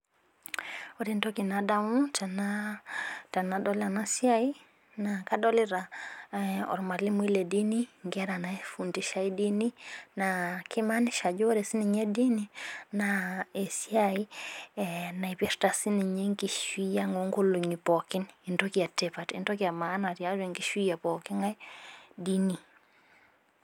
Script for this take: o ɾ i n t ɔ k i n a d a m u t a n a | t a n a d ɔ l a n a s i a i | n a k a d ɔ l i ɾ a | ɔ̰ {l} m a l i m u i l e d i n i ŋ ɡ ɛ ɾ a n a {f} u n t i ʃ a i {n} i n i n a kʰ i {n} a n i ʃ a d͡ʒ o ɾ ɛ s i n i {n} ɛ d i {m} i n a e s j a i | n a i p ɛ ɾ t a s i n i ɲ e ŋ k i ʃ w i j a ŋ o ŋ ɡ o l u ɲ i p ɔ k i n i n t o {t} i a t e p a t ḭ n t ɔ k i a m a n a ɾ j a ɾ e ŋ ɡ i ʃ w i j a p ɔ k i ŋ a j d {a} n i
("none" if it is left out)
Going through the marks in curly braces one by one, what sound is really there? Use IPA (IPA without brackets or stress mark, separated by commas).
ɾ, f, d, m, ɲ, n, k, i